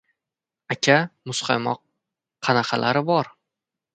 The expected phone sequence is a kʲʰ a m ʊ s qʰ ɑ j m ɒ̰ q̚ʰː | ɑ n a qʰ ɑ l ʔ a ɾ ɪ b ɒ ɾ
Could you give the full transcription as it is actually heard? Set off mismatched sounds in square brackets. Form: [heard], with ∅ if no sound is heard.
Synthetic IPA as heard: a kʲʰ a m ʊ s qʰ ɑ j m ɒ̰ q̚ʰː | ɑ n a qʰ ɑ l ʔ a ɾ ɪ b ɒ ɾ